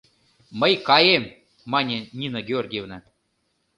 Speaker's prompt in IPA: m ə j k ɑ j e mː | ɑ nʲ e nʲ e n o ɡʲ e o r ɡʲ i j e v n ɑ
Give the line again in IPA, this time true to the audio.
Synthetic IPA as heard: m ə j k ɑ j e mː | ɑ nʲ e nʲ i n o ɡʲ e o r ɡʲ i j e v n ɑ